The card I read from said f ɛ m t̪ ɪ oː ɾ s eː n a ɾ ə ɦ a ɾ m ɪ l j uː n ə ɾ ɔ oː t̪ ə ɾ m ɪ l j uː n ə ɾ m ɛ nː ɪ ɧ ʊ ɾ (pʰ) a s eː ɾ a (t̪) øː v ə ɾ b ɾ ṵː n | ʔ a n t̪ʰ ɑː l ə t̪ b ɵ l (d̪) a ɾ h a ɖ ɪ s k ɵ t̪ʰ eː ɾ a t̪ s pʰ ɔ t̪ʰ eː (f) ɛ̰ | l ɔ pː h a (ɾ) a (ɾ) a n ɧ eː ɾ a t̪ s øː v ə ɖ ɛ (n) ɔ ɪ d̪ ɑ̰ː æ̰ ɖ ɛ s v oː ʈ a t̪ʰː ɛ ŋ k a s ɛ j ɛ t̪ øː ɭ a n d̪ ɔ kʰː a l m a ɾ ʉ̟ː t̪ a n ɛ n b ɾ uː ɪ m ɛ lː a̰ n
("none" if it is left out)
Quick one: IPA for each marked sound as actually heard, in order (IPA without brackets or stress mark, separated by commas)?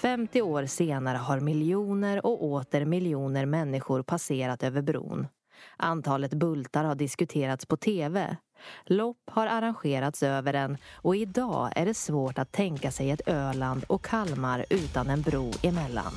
pʰ, t̪, t̪, v, ɾ, ɾ, n